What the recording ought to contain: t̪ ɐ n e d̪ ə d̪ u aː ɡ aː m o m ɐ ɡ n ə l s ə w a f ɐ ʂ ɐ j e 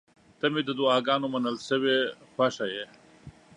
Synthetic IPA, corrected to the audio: t̪ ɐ m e d̪ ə d̪ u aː ɡ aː n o m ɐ n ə l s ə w e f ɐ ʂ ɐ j e